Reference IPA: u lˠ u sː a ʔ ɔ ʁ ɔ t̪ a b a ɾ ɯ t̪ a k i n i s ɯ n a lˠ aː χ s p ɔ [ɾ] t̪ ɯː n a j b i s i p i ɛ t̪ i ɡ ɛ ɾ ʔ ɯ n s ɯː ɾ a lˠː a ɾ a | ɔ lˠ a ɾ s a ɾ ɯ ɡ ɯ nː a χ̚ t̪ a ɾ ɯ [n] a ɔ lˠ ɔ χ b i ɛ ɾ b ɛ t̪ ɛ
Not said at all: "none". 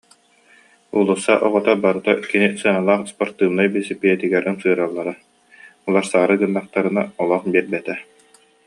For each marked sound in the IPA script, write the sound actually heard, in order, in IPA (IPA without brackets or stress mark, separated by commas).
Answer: ɾ, n